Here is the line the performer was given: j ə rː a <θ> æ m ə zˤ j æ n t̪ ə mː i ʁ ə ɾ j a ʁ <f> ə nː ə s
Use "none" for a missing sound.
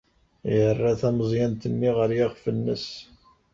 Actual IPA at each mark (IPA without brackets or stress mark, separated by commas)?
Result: θ, f